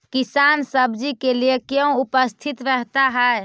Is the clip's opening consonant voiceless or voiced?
voiceless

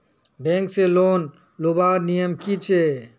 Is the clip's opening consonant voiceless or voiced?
voiced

